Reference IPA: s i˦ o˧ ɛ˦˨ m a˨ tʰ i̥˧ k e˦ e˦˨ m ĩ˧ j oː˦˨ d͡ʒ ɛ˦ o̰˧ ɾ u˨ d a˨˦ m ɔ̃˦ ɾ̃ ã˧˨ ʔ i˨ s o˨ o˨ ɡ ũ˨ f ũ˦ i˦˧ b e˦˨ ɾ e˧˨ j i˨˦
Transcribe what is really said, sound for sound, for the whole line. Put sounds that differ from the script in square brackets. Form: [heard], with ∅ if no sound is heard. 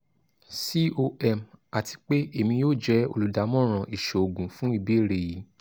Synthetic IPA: s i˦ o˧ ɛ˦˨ m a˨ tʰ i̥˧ [k͡p] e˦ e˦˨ m ĩ˧ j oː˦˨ d͡ʒ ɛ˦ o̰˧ [l] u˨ d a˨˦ m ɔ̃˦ ɾ̃ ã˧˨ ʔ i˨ [ʃ] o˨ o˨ ɡ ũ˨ f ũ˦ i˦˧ b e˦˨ ɾ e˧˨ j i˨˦